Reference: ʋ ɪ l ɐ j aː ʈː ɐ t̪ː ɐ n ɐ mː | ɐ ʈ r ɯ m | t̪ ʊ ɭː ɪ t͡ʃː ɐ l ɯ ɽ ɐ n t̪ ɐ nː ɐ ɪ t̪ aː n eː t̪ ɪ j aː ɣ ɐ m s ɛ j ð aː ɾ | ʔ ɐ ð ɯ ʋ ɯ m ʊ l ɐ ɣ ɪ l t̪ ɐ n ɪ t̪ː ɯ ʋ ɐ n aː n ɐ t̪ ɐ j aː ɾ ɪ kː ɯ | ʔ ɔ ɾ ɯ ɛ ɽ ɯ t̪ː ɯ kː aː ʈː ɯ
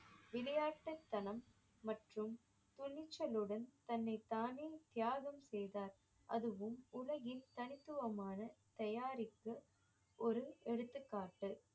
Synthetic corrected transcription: ʋ ɪ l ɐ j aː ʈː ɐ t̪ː ɐ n ɐ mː | ɐ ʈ r ɯ m | t̪ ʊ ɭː ɪ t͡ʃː ɐ l ɯ ɽ ɐ n t̪ ɐ nː ɐ ɪ t̪ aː n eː t̪ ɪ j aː ɣ ɐ m s ɛ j ð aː ɾ | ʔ ɐ ð ɯ ʋ ɯ m ʊ l ɐ ɣ ɪ l t̪ ɐ n ɪ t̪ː ɯ ʋ ɐ m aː n ɐ t̪ ɐ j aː ɾ ɪ kː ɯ | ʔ ɔ ɾ ɯ ɛ ɽ ɯ t̪ː ɯ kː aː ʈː ɯ